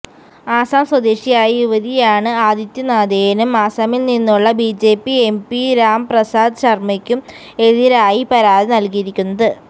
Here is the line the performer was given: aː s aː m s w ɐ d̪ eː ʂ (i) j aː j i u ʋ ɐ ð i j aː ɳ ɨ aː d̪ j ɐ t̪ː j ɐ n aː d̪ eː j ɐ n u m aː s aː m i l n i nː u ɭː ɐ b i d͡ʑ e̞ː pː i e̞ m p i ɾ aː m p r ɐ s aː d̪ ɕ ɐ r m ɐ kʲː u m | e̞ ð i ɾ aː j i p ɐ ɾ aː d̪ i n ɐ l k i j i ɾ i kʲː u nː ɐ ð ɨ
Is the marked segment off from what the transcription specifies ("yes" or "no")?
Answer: no